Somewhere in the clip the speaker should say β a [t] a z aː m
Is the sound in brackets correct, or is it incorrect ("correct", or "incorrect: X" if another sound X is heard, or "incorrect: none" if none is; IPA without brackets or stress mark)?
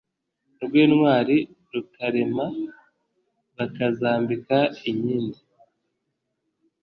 incorrect: k